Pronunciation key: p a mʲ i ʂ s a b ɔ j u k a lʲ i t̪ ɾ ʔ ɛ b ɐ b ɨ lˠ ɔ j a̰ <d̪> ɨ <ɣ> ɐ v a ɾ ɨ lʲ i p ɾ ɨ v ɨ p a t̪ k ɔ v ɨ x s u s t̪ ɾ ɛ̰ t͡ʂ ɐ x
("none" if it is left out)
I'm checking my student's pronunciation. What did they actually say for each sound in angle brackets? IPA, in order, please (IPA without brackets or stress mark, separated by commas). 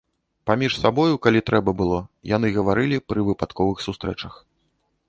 n̪, ɣ